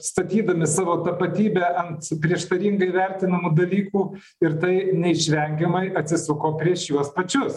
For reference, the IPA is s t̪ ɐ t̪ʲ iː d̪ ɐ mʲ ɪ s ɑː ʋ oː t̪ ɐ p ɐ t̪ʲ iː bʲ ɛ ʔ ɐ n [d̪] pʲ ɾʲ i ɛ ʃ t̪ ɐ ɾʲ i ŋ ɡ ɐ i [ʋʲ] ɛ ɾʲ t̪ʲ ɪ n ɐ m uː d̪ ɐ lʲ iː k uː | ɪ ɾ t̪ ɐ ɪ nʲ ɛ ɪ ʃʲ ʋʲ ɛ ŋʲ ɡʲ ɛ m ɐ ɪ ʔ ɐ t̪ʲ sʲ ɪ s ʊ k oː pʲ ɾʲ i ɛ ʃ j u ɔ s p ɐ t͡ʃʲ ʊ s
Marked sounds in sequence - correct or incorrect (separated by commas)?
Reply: incorrect, correct